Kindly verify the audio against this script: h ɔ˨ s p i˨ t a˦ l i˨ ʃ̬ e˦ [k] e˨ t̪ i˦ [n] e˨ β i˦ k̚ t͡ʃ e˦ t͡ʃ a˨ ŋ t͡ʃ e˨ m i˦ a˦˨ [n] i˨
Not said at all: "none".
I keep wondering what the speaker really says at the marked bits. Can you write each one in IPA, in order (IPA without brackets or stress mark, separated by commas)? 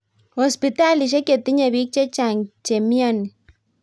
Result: k, ɲ, n